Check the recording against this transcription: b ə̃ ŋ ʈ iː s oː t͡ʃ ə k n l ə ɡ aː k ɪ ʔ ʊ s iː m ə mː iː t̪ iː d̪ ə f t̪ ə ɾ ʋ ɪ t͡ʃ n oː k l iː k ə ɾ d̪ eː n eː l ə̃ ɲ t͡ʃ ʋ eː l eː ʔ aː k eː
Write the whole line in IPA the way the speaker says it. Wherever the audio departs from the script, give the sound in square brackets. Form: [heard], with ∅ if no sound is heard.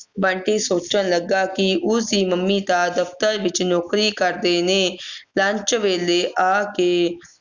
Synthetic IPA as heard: b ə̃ [ɳ] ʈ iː s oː t͡ʃ ə [∅] n l ə ɡ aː k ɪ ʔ ʊ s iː m ə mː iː t̪ [aː] d̪ ə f t̪ ə ɾ ʋ ɪ t͡ʃ n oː k [ɾ] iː k ə ɾ d̪ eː n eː l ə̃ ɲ t͡ʃ ʋ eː l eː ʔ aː k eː

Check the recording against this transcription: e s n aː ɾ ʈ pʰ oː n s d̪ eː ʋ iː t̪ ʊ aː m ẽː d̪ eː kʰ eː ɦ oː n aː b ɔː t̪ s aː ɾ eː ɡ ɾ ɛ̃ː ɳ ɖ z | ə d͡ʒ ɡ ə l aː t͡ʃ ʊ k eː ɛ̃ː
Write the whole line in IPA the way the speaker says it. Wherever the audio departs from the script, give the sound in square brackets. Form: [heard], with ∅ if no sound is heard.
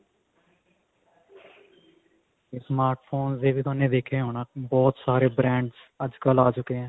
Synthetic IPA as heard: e s [m] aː ɾ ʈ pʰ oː n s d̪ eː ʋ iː t̪ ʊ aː [n] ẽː d̪ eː kʰ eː ɦ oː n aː b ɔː t̪ s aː ɾ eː [b] ɾ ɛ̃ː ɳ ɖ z | ə d͡ʒ [k] ə l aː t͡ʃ ʊ k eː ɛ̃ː

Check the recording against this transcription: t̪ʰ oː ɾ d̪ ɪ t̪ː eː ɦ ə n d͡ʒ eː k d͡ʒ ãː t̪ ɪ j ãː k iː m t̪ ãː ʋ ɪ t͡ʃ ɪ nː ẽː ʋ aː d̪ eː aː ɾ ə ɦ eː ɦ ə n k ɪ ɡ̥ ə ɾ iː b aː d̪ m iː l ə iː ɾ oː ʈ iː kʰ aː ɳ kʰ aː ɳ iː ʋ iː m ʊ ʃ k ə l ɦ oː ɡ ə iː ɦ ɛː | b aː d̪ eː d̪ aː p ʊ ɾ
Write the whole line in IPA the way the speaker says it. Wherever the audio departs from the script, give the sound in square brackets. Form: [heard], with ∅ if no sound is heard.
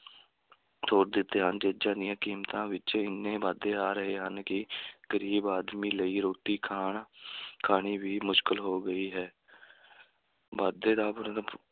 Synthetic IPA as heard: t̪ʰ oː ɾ d̪ ɪ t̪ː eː ɦ ə n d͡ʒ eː [∅] d͡ʒ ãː [d̪] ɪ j ãː k iː m t̪ ãː ʋ ɪ t͡ʃ ɪ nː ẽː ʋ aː d̪ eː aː ɾ ə ɦ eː ɦ ə n k ɪ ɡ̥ ə ɾ iː b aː d̪ m iː l ə iː ɾ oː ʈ iː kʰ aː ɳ kʰ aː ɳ iː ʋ iː m ʊ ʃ k ə l ɦ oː ɡ ə iː ɦ ɛː | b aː d̪ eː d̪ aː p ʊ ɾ

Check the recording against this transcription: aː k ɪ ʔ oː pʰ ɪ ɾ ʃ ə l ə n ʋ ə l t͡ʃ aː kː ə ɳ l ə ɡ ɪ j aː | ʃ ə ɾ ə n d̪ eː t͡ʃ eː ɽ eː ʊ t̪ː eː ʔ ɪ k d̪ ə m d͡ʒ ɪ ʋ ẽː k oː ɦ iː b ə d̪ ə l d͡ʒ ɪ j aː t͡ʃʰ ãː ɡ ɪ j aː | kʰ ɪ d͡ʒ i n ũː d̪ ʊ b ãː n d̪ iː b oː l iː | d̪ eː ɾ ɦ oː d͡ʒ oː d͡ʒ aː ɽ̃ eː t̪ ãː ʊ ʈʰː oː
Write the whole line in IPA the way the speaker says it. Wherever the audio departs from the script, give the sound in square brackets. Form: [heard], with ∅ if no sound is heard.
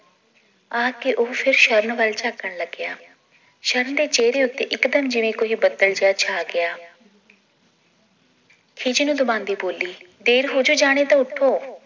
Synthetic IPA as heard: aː k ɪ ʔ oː pʰ ɪ ɾ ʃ ə [ɾ] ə n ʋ ə l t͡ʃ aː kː ə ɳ l ə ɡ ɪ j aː | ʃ ə ɾ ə n d̪ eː t͡ʃ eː [ɾ] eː ʊ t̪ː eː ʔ ɪ k d̪ ə m d͡ʒ ɪ ʋ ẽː k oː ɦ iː b ə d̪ ə l d͡ʒ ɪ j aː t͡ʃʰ [aː] ɡ ɪ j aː | kʰ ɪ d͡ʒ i n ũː d̪ ʊ b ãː n d̪ iː b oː l iː | d̪ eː ɾ ɦ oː d͡ʒ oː d͡ʒ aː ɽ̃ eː t̪ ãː ʊ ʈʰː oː

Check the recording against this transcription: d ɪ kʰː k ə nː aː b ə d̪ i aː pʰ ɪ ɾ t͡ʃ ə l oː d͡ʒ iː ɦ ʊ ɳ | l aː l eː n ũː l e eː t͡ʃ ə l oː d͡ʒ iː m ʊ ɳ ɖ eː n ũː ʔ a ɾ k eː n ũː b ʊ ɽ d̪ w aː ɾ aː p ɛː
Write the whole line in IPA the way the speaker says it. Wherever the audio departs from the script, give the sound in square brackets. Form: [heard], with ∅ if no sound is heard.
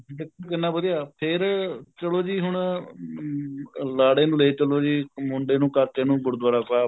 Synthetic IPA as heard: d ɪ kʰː k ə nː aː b ə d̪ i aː pʰ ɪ ɾ t͡ʃ ə l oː d͡ʒ iː ɦ ʊ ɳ | l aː [ɽ] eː n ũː l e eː t͡ʃ ə l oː d͡ʒ iː m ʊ ɳ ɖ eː n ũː [k] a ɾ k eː n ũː [ɡ] ʊ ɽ d̪ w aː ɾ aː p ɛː

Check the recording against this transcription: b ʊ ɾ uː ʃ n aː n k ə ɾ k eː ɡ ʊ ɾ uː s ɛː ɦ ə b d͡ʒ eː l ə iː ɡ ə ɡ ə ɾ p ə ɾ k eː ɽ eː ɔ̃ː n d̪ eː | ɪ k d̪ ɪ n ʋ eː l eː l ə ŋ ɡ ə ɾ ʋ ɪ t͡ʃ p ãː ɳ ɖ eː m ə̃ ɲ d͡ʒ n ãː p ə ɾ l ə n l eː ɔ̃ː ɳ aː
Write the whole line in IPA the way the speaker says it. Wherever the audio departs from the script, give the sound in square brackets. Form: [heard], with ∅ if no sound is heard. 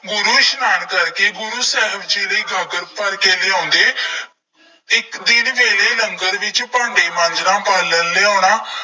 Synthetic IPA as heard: [ɡ] ʊ ɾ uː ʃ n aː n k ə ɾ k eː ɡ ʊ ɾ uː s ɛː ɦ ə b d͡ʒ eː l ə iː ɡ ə ɡ ə ɾ p ə ɾ k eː [l] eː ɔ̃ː n d̪ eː | ɪ k d̪ ɪ n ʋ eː l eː l ə ŋ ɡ ə ɾ ʋ ɪ t͡ʃ p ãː ɳ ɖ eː m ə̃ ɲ d͡ʒ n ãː p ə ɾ l ə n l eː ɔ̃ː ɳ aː

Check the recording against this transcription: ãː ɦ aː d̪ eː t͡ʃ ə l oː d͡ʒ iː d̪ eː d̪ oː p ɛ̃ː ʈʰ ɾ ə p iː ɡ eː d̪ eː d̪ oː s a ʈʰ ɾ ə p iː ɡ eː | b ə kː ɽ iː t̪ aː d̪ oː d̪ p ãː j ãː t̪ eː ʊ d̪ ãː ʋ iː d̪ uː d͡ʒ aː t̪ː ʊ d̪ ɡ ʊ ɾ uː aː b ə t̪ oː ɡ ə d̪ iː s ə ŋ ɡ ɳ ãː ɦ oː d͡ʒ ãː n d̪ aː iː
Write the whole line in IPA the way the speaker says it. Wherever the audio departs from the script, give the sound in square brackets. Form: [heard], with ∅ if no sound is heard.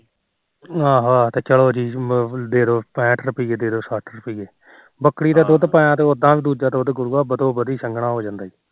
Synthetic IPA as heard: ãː ɦ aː [t̪] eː t͡ʃ ə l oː d͡ʒ iː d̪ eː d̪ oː p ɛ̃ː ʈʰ ɾ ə p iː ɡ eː d̪ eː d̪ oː s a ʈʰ ɾ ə p iː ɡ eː | b ə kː ɽ iː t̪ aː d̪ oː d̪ p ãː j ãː t̪ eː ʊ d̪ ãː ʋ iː d̪ uː d͡ʒ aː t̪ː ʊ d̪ ɡ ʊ ɾ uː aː b ə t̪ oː [b] ə d̪ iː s ə ŋ ɡ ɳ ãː ɦ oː d͡ʒ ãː n d̪ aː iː

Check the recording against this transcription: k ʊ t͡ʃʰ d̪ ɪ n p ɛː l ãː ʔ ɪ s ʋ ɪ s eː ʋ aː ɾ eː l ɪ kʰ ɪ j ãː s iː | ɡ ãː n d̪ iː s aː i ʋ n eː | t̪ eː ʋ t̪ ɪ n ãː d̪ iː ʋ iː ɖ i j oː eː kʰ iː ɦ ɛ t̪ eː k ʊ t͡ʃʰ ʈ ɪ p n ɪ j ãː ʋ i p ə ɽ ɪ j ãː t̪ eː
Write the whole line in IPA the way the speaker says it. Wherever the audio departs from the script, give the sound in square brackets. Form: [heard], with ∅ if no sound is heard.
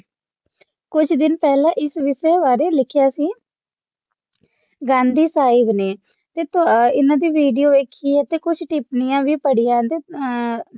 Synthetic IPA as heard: k ʊ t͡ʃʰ d̪ ɪ n p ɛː l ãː ʔ ɪ s ʋ ɪ s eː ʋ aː ɾ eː l ɪ kʰ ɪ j [aː] s iː | ɡ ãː n d̪ iː s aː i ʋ n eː | t̪ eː [∅] t̪ ɪ n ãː d̪ iː ʋ iː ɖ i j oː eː kʰ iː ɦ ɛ t̪ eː k ʊ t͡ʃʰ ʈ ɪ p n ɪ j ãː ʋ [iː] p ə ɽ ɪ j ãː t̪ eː

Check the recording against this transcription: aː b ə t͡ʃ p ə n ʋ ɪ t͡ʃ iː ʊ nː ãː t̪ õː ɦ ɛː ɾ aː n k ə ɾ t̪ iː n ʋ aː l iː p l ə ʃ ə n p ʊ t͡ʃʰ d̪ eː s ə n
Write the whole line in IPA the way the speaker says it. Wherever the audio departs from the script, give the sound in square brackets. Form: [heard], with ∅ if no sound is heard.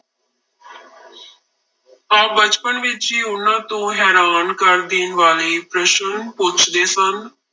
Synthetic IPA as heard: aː b ə t͡ʃ p ə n ʋ ɪ t͡ʃ iː ʊ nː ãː t̪ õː ɦ ɛː ɾ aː n k ə ɾ [d̪] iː n ʋ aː l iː p [ɾ] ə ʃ ə n p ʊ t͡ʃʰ d̪ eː s ə n

